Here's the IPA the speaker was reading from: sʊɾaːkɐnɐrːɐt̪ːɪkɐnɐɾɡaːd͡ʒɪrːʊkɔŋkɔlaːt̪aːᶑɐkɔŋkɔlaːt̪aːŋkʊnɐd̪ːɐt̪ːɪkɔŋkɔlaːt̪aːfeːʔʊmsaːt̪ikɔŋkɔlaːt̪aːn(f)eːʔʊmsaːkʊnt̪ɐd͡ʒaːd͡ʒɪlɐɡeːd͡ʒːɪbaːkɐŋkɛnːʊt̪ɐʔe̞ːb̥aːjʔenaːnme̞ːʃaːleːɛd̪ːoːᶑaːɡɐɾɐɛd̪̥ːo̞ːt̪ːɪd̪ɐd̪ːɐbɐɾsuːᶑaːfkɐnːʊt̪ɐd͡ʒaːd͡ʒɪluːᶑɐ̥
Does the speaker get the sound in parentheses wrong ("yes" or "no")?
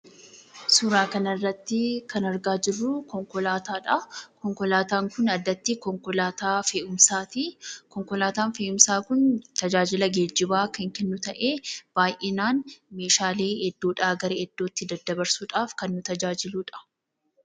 no